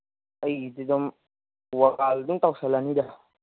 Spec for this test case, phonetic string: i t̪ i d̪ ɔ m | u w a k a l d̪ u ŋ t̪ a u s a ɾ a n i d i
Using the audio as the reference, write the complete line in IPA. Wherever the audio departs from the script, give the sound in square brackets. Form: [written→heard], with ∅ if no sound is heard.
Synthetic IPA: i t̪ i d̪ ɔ m | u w a k a l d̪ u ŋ t̪ a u s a [ɾ→l] a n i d [i→a]